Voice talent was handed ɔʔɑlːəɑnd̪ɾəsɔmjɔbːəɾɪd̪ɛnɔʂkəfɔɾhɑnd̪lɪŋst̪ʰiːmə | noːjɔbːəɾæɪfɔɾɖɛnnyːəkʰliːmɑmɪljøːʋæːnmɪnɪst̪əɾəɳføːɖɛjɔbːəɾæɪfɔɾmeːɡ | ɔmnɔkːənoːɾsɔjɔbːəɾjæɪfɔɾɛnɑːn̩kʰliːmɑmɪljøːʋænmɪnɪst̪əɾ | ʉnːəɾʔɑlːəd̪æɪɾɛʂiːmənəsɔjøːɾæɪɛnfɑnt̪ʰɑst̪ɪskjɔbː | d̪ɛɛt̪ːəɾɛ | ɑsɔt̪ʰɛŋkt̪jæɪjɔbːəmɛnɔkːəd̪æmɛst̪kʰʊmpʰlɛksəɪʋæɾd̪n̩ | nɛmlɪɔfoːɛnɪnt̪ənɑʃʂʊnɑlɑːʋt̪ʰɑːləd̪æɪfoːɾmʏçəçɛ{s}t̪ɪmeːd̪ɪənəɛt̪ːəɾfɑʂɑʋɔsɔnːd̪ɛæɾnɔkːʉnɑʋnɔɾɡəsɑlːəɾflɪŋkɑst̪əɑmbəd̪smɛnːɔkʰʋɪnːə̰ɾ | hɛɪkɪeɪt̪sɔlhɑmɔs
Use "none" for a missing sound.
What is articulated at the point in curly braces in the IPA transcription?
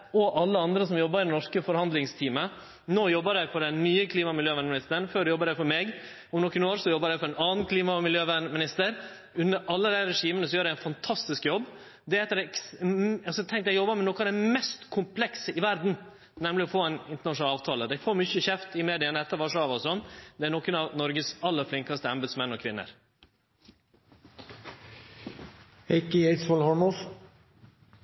f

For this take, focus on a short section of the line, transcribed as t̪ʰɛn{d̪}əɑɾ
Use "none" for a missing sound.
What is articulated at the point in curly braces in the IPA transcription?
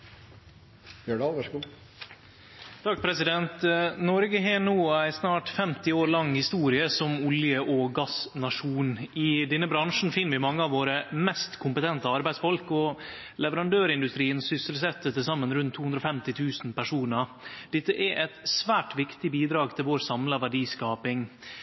t̪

